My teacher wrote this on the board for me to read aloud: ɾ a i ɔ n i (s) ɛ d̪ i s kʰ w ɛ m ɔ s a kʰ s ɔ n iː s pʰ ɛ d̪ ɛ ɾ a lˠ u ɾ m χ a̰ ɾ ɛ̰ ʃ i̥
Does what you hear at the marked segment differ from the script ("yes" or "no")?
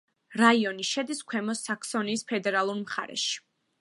yes